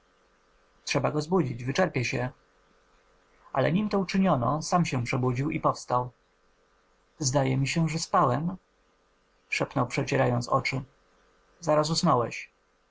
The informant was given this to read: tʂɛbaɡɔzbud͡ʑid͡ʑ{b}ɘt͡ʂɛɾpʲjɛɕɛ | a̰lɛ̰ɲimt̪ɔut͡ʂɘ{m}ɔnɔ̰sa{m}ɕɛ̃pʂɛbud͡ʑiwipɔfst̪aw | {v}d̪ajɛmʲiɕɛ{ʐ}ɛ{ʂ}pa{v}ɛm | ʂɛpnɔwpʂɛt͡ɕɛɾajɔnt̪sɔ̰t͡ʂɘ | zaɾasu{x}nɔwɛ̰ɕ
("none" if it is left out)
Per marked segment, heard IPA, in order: v, ɲ, m, z, ʐ, s, w, s

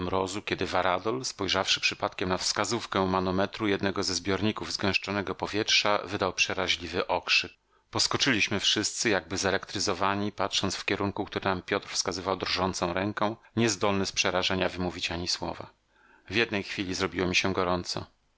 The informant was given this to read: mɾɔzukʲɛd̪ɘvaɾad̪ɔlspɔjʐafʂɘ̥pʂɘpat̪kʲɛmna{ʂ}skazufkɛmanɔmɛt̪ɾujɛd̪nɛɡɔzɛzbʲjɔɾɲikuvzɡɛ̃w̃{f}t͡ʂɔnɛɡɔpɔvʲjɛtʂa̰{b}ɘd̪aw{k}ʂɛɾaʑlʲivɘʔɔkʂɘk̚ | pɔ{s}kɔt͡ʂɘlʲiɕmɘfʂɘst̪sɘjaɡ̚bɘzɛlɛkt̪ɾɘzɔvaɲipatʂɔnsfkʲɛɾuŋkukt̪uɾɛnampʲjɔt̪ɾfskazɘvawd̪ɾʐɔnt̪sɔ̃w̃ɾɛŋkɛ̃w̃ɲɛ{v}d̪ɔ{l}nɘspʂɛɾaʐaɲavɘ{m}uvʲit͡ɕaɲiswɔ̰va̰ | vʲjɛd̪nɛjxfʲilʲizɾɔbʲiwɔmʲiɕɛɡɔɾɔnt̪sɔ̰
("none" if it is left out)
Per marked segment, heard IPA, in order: f, ʂ, v, p, s, z, l, m

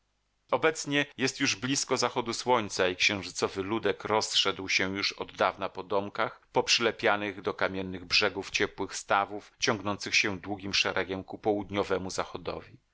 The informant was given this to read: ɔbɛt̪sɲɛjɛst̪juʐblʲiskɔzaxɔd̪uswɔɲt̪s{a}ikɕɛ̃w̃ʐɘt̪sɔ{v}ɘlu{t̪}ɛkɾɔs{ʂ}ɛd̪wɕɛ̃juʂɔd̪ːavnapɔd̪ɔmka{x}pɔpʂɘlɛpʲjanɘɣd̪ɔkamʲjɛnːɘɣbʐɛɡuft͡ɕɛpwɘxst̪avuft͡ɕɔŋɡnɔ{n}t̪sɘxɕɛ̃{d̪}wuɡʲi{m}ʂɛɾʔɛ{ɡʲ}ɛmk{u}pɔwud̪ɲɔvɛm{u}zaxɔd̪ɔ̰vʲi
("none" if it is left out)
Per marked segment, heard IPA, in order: a, v, d̪, ʂ, x, n, d̪, m, ɡʲ, u, u

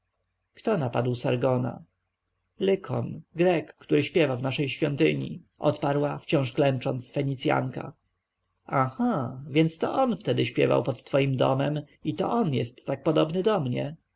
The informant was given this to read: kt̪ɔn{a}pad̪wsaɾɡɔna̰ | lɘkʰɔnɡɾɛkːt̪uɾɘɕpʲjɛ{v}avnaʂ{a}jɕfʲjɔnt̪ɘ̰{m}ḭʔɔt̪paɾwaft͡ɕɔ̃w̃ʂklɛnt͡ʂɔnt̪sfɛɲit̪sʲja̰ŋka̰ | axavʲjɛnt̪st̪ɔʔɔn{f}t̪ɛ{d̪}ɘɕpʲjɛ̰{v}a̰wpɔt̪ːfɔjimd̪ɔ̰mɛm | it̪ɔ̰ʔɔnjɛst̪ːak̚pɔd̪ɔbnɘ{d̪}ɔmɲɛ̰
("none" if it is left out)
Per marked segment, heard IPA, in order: a, v, ɛ, ɲ, f, d̪, v, d̪

